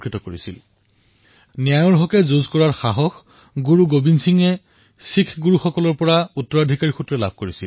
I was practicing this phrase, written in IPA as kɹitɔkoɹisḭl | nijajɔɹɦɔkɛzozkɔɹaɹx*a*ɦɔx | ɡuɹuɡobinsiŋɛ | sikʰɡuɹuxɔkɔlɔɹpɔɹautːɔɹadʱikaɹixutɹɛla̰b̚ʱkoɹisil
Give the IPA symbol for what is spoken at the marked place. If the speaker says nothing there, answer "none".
a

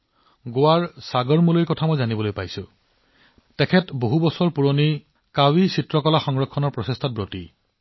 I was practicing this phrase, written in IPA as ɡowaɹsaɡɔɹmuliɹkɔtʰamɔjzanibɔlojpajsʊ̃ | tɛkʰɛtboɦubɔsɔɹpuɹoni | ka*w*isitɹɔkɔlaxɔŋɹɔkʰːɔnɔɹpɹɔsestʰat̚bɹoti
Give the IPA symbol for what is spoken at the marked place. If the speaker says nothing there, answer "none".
w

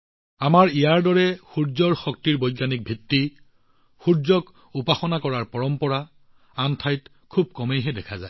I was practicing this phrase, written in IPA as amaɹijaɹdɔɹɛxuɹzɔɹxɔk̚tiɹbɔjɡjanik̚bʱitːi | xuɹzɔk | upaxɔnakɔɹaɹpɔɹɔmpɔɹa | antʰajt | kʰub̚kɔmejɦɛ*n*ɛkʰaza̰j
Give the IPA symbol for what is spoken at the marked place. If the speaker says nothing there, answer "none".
d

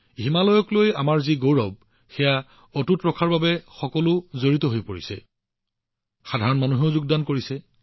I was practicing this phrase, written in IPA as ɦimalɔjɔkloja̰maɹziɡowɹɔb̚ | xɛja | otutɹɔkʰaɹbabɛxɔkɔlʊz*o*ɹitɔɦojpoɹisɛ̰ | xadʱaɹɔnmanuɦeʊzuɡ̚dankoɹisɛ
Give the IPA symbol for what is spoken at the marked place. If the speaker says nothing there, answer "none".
o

